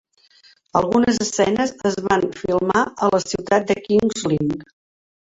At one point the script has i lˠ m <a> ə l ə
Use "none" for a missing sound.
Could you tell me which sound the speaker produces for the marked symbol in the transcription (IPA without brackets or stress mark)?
a